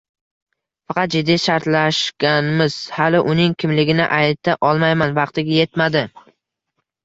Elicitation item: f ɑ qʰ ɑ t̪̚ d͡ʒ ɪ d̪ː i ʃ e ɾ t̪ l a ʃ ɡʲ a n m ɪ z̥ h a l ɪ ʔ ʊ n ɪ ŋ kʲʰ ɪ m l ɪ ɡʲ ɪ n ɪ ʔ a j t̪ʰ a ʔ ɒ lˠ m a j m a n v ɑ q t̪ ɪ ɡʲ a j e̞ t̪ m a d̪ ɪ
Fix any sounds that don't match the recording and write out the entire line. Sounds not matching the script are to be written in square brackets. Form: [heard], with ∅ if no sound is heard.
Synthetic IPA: f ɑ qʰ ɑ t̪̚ d͡ʒ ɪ d̪ː i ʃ [a] ɾ t̪ l a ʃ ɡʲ a n m ɪ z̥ h a l ɪ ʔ ʊ n ɪ ŋ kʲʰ ɪ m l ɪ ɡʲ ɪ n ɪ ʔ a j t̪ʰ a ʔ ɒ lˠ m a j m a n v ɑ q t̪ ɪ ɡʲ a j e̞ t̪ m a d̪ ɪ